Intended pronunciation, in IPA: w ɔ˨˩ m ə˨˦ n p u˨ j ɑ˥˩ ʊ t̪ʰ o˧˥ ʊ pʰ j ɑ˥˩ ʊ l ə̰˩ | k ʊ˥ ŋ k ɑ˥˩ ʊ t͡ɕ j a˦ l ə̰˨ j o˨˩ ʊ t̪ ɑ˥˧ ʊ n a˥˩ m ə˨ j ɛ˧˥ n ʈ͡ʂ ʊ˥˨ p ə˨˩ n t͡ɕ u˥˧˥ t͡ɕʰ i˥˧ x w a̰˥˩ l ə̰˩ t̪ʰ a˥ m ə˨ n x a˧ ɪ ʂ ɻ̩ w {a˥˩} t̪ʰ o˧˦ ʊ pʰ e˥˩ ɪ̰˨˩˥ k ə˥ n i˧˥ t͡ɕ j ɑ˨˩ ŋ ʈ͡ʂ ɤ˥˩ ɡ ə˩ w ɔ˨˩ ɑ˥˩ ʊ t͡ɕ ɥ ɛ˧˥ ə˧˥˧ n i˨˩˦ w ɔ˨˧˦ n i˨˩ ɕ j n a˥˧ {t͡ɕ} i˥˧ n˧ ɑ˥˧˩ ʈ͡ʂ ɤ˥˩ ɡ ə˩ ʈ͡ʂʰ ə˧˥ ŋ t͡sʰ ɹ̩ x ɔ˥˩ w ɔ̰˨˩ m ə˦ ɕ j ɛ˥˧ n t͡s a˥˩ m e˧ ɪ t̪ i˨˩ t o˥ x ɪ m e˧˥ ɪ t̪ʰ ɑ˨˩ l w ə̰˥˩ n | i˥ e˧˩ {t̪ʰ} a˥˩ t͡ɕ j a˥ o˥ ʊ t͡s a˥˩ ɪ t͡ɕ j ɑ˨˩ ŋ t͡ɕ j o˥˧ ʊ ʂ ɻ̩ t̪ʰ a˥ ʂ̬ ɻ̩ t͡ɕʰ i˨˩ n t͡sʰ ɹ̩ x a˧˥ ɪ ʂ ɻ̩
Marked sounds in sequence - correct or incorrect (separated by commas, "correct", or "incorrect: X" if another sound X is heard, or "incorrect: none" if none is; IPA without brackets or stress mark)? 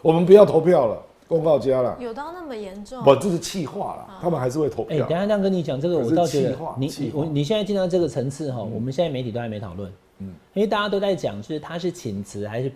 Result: incorrect: e˥˩, correct, incorrect: t̪